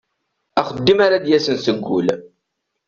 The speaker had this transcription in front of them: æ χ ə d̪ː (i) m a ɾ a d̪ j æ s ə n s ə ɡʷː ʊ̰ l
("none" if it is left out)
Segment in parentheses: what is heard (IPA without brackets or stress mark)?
i